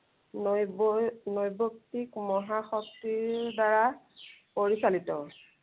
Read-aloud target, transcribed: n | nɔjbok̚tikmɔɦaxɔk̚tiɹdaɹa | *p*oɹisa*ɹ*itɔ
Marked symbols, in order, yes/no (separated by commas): yes, no